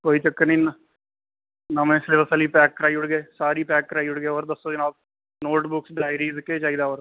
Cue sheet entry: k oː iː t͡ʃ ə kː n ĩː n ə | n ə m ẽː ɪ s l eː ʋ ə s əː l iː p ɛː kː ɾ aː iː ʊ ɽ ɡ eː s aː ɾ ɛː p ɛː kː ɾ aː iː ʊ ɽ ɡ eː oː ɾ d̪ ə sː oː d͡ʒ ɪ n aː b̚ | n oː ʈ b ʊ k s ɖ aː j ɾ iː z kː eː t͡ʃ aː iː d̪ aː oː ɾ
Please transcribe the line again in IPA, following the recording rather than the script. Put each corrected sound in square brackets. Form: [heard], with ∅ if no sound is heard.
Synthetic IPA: k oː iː t͡ʃ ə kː n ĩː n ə | n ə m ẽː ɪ s l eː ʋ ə s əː l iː p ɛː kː ɾ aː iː ʊ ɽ ɡ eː s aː ɾ [iː] p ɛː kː ɾ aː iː ʊ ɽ ɡ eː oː ɾ d̪ ə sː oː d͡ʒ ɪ n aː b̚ | n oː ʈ b ʊ k s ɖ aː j ɾ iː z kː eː t͡ʃ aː iː d̪ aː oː ɾ